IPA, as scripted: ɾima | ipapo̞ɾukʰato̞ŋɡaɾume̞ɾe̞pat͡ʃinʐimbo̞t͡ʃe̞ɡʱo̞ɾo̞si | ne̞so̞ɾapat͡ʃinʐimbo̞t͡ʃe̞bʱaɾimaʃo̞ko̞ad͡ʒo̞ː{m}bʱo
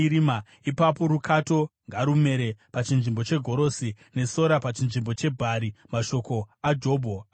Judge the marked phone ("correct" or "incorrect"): incorrect